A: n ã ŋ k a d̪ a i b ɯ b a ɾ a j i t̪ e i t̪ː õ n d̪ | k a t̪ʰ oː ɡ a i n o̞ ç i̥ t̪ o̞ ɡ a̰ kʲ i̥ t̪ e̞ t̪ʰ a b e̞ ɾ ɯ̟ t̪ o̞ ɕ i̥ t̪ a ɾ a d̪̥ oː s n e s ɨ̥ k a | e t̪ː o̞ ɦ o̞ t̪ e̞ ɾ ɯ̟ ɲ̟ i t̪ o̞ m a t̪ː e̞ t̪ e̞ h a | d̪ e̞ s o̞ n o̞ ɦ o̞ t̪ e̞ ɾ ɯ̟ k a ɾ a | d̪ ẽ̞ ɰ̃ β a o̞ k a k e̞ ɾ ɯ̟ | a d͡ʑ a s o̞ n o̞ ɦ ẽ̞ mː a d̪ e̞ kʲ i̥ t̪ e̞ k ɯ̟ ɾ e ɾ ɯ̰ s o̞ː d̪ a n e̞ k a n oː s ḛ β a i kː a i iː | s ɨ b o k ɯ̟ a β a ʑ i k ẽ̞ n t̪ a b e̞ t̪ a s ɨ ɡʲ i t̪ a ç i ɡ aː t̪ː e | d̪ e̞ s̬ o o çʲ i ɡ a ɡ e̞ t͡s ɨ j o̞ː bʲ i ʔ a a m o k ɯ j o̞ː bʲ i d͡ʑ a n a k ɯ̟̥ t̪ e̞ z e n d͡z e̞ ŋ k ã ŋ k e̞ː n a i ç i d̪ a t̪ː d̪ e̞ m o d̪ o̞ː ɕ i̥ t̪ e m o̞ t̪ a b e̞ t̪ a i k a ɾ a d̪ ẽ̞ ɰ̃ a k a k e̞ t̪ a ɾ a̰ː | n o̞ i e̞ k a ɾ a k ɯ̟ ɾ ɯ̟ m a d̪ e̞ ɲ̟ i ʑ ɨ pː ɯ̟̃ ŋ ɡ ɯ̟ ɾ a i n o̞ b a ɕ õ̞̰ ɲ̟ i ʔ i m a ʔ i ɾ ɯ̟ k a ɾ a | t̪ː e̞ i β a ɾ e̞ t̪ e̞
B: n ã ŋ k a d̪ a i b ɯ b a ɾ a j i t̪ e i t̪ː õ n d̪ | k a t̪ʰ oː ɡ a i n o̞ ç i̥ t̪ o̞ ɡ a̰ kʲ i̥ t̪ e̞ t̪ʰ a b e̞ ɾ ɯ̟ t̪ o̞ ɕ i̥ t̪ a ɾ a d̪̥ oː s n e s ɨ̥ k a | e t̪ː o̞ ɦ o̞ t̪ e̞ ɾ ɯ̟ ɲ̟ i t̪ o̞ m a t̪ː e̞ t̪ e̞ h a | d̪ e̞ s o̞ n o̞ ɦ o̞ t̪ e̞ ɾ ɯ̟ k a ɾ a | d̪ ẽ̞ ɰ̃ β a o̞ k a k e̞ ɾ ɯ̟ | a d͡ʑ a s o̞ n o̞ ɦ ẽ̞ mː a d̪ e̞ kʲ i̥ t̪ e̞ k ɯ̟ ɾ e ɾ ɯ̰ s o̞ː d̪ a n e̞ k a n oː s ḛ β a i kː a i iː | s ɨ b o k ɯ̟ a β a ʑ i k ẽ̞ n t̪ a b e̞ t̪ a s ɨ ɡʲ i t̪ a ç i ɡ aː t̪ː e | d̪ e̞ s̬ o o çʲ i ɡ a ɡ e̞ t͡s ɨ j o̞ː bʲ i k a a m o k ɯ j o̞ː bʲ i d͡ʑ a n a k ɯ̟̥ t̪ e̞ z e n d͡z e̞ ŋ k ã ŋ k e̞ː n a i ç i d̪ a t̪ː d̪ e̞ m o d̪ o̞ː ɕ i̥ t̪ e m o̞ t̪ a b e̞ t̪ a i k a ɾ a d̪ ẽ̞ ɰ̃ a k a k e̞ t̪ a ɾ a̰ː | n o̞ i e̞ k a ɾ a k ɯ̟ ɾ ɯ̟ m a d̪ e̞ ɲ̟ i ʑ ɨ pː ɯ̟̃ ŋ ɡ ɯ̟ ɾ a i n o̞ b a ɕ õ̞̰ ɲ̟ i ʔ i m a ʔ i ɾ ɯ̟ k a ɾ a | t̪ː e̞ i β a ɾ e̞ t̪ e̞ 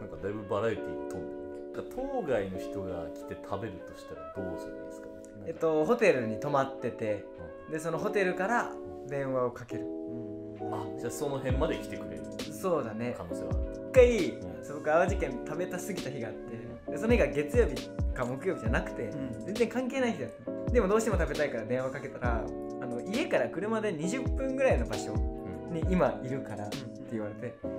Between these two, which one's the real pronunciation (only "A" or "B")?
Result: B